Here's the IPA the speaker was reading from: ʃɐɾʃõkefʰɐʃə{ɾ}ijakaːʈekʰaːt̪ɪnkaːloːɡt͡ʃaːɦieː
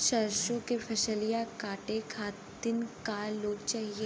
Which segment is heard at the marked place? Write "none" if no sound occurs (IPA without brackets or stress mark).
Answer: l